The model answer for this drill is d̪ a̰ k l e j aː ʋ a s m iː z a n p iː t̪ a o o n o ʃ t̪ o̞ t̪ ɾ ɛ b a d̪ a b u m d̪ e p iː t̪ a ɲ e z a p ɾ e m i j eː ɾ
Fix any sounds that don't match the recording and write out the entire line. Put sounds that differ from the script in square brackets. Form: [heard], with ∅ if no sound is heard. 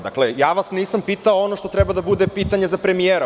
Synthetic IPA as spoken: d̪ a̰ k l e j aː ʋ a s [n] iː [s] a [m] p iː t̪ a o o n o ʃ t̪ o̞ t̪ ɾ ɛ b a d̪ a b u [∅] d̪ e p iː t̪ a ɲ e z a p ɾ e m i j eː ɾ